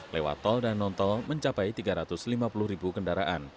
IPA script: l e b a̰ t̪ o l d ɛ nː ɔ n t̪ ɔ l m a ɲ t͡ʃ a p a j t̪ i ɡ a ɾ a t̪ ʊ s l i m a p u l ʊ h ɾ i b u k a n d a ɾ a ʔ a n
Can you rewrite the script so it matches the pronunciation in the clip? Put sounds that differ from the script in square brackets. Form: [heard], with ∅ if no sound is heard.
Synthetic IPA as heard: l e [w] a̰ t̪ [ɔ] l d [a] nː ɔ n t̪ ɔ l m [ə] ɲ t͡ʃ a p a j t̪ i ɡ a ɾ a t̪ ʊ s l i m a p u l ʊ h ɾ i b u k [ə] n d a ɾ a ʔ a n